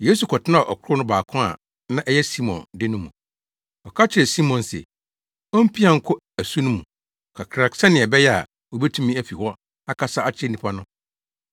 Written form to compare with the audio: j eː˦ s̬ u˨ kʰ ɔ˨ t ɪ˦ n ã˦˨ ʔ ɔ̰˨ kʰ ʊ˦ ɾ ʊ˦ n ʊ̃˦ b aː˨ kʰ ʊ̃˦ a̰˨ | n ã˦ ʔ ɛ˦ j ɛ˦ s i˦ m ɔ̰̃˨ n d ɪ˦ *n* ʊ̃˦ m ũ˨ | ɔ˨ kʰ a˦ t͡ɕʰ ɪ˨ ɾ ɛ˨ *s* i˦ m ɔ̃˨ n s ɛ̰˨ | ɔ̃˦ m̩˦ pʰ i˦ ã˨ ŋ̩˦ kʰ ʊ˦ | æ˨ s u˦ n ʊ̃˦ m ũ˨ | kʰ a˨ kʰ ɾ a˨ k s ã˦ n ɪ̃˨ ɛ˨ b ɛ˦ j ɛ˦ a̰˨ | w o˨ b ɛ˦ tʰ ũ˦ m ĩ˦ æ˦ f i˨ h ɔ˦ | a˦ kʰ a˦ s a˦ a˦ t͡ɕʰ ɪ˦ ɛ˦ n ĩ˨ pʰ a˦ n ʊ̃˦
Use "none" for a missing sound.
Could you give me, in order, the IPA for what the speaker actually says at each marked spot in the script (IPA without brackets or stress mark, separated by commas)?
n, s